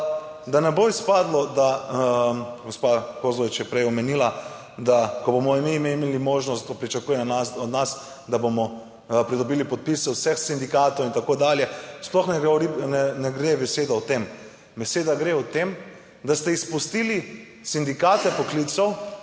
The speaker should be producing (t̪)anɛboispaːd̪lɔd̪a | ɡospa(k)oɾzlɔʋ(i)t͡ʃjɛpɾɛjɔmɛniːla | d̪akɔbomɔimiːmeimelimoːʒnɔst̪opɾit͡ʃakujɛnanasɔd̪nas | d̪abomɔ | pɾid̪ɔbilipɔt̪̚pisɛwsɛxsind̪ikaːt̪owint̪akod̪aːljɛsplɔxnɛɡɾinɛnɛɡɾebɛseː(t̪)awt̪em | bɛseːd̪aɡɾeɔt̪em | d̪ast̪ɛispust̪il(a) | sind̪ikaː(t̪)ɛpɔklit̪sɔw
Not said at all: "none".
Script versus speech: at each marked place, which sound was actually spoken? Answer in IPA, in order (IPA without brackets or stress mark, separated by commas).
d̪, k, i, d̪, i, t̪